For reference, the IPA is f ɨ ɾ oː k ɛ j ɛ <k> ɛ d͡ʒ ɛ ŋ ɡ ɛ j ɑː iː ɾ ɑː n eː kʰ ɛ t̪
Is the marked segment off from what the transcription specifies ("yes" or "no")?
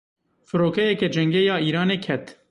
no